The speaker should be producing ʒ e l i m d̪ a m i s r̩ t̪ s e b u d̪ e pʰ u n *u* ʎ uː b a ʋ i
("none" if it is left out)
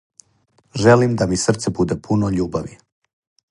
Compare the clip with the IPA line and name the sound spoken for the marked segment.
o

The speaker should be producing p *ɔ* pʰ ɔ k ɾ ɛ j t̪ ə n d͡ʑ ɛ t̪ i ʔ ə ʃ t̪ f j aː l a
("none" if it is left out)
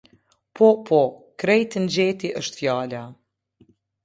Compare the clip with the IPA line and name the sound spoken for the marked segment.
ɔ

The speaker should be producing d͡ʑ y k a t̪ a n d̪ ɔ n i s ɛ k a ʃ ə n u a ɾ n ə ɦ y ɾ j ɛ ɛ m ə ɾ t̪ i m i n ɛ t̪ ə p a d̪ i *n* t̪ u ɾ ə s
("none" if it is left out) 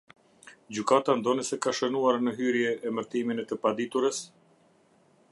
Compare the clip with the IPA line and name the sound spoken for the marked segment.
none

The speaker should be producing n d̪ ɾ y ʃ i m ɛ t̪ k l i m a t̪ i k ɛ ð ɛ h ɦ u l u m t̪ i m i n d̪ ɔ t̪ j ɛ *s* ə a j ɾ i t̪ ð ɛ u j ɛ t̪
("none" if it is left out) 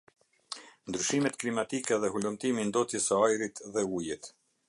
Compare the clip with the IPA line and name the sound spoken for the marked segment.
s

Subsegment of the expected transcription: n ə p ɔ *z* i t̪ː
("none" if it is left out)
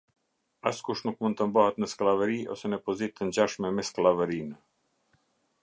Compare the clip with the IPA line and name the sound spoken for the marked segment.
z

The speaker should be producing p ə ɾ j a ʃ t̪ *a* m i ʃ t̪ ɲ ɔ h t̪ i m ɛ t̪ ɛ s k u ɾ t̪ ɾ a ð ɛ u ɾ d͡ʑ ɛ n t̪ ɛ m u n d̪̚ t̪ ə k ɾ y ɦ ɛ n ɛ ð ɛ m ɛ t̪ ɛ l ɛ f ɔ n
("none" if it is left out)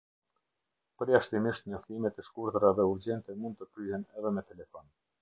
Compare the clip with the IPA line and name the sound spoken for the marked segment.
i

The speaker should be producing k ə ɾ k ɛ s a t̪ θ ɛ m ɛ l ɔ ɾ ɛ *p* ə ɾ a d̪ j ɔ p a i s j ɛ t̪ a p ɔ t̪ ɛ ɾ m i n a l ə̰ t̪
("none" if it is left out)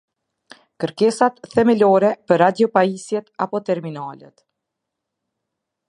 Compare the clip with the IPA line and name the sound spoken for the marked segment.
p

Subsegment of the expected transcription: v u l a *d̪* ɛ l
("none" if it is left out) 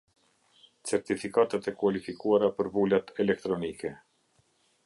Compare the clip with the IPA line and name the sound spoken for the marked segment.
t̪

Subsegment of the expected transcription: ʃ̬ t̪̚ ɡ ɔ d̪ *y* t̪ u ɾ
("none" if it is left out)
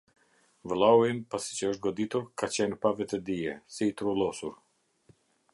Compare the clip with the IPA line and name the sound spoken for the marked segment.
i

